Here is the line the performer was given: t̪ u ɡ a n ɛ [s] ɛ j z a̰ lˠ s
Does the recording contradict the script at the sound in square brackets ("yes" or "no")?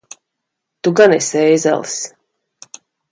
no